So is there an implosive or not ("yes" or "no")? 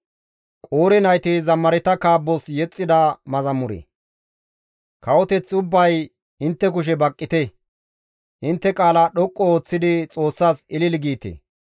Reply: yes